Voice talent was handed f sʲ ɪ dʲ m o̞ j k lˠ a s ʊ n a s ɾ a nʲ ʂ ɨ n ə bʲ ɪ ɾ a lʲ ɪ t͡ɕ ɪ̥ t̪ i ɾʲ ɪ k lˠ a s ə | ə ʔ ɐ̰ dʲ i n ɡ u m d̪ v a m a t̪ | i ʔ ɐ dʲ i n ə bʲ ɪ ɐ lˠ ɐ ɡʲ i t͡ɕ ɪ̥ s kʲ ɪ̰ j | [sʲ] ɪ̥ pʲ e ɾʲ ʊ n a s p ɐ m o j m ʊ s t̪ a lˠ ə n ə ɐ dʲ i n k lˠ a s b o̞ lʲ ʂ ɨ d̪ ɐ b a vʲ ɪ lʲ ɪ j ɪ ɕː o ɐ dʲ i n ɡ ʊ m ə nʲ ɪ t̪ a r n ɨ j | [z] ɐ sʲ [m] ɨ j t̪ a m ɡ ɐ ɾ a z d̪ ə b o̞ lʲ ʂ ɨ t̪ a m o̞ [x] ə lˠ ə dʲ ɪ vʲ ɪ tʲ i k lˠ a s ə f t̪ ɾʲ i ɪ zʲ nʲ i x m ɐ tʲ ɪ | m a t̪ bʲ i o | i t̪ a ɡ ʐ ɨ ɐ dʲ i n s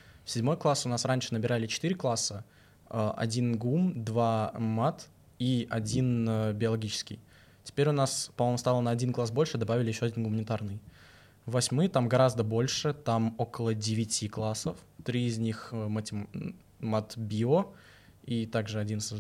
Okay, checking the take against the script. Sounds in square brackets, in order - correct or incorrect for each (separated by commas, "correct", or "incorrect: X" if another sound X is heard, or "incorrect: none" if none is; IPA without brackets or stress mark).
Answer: incorrect: tʲ, incorrect: v, correct, incorrect: k